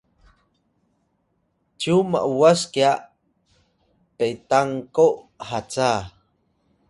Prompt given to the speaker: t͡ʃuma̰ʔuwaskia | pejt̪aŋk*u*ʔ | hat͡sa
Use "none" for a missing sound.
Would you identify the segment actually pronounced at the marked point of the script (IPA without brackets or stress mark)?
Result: o